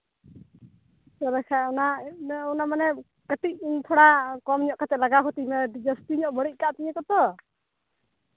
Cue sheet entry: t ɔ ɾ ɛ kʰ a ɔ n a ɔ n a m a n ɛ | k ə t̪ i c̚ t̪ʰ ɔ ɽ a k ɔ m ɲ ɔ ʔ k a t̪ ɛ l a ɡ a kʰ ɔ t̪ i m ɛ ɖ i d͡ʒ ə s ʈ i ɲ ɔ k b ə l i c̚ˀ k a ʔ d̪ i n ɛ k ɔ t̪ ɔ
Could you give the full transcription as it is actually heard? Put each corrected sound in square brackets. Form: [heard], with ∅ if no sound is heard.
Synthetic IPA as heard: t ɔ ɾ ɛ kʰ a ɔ n a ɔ n a m a n ɛ | k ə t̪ i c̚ t̪ʰ ɔ ɽ a k ɔ m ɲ ɔ ʔ k a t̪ ɛ l a ɡ a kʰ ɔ t̪ i m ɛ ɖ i d͡ʒ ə s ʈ i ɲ ɔ [ʔ] b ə [ɽ] i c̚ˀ k a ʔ [t̪] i [ɲ] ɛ k ɔ t̪ ɔ